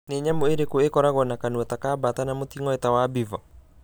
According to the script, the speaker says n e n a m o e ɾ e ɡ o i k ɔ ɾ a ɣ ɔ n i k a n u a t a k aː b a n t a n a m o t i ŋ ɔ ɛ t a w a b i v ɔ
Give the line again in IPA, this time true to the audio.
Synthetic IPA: n e ɲ a m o e ɾ e k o e k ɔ ɾ a ɣ ɔ n a k a n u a t a k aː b a t a n a m o t i ŋ ɔ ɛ t a w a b i v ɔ